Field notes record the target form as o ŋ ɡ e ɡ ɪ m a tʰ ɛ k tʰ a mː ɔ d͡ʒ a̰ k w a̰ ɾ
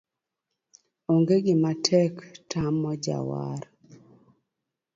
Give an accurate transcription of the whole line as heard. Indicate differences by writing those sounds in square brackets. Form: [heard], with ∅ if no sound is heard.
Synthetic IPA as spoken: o ŋ ɡ e ɡ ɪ m a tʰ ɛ k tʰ a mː ɔ d͡ʒ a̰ [∅] w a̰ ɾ